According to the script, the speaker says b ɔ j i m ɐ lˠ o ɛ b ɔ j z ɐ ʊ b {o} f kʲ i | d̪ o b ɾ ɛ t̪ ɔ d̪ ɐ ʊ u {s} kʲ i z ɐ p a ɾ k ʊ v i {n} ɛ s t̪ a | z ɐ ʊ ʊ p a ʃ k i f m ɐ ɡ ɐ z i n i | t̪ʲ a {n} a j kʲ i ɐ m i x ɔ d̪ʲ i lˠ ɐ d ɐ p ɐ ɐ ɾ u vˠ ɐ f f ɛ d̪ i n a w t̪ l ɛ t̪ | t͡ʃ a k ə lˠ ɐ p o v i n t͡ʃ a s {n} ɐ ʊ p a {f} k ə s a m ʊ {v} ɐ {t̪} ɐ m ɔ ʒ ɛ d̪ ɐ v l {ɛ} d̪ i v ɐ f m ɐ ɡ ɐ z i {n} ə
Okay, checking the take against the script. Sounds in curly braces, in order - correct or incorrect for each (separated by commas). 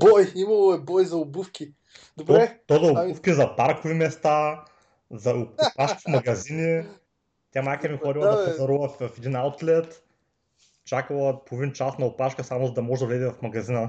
incorrect, incorrect, incorrect, incorrect, correct, incorrect, incorrect, incorrect, correct, correct